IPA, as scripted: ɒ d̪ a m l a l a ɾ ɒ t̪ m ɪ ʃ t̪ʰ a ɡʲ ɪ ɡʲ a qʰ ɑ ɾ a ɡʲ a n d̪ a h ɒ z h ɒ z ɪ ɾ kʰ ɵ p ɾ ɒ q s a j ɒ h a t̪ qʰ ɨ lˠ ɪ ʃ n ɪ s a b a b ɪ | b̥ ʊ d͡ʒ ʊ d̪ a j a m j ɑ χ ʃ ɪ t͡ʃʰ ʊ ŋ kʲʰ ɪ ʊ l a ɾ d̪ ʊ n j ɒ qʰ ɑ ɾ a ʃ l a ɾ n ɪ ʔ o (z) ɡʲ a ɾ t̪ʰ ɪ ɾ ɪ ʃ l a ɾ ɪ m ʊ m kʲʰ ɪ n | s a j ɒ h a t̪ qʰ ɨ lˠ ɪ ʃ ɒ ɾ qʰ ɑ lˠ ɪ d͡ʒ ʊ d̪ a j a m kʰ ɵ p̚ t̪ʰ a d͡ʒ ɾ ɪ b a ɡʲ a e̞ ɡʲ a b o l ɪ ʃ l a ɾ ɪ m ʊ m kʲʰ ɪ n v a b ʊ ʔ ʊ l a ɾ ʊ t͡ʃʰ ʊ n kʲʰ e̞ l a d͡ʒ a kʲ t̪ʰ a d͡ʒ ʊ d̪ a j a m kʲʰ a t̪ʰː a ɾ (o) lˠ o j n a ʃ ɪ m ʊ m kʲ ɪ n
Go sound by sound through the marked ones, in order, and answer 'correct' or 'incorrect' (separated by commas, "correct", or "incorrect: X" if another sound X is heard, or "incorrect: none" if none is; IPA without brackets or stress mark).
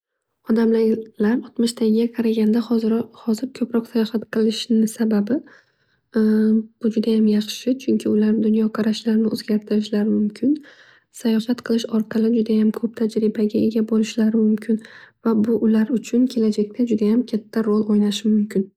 correct, correct